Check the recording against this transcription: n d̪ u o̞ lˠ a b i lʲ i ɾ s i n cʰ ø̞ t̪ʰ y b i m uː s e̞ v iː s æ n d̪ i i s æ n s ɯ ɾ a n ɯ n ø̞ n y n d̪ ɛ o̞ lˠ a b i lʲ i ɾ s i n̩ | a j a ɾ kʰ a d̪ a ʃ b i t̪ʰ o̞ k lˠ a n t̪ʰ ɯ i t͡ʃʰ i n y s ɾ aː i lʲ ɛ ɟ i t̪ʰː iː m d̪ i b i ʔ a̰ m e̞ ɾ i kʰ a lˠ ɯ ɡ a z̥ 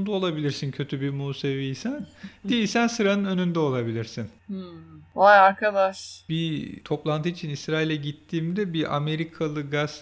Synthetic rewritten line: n d̪ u o̞ lˠ a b i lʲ i ɾ s i n cʰ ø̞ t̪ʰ y b i m uː s e̞ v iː s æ n d̪ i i s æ n s ɯ ɾ a n ɯ n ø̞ n y n d̪ ɛ o̞ lˠ a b i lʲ i ɾ s i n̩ | a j a ɾ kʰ a d̪ a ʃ b i t̪ʰ o̞ p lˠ a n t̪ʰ ɯ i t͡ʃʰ i n i s ɾ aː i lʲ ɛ ɟ i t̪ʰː iː m d̪ ɛ b i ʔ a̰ m e̞ ɾ i kʰ a lˠ ɯ ɡ a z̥